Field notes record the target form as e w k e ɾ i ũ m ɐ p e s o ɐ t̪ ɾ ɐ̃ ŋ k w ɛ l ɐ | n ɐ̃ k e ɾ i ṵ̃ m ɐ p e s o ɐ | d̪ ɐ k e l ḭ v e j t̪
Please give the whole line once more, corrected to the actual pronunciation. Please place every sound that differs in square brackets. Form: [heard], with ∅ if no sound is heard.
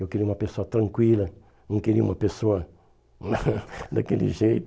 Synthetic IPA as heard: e w k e ɾ i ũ m ɐ p e s o ɐ t̪ ɾ ɐ̃ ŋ k w [i] l ɐ | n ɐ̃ k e ɾ i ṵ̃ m ɐ p e s o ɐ | d̪ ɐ k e l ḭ [ʒ] e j t̪